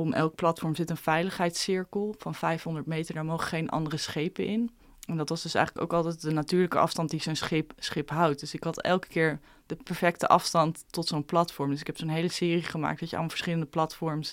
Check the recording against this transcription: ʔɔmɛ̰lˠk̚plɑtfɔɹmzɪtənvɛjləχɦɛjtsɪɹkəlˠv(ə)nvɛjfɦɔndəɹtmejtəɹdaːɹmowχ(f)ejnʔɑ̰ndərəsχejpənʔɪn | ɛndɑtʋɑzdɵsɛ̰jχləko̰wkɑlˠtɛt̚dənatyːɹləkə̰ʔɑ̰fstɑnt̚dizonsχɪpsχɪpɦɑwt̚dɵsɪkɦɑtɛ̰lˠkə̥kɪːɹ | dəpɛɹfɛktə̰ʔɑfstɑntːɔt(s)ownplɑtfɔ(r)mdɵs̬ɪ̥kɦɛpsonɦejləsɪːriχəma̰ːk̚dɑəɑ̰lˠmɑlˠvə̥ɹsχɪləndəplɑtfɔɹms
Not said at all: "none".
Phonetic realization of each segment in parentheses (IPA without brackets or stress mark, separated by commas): ɑ, χ, s, ɹ